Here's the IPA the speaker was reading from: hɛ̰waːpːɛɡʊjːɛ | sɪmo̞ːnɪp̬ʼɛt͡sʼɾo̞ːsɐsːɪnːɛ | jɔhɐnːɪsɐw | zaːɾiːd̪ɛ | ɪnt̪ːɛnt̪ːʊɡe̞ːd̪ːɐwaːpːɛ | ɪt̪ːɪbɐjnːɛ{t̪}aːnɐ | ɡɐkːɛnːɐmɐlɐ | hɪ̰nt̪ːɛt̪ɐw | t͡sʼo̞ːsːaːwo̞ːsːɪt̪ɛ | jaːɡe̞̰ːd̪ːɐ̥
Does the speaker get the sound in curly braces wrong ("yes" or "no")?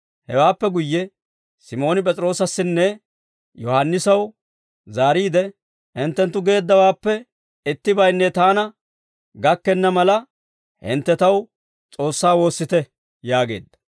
no